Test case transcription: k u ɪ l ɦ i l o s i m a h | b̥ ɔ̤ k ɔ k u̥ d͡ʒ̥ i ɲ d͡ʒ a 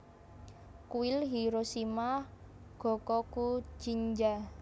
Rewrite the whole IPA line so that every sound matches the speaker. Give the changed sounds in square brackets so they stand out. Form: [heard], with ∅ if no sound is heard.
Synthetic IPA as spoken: k u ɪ l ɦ i [ɾ] o s i m a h | [ɡ̥] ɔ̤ k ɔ k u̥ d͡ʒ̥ i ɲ d͡ʒ a